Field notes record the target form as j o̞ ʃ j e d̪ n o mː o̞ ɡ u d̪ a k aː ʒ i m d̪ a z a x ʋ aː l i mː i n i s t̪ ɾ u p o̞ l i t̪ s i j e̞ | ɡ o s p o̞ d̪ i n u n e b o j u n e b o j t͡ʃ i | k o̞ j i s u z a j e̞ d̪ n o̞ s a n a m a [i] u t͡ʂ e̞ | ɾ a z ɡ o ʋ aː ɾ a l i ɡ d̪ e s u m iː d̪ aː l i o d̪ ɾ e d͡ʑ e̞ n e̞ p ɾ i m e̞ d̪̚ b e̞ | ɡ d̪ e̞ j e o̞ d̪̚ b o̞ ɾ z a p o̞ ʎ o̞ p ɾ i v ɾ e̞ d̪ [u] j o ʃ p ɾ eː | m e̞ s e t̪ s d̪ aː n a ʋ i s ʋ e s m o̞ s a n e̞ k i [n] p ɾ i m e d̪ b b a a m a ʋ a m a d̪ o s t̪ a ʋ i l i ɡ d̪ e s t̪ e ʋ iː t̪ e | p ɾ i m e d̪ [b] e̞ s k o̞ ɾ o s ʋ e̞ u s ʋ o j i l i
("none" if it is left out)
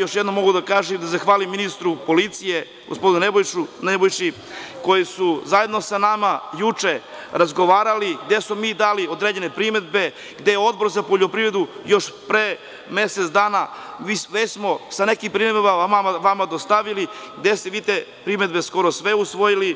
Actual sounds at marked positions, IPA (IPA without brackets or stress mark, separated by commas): j, u, m, b